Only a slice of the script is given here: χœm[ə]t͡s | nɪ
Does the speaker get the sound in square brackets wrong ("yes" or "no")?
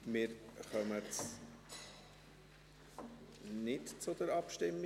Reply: no